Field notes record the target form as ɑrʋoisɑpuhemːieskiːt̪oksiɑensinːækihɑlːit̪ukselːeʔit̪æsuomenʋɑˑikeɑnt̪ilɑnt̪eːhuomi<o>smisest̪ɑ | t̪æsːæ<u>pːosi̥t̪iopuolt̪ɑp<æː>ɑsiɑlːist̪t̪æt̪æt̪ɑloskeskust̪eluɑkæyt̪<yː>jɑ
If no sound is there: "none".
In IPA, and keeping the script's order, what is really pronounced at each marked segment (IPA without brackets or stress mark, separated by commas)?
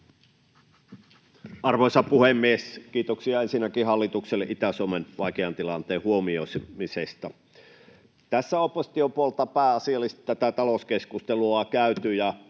o, o, æː, y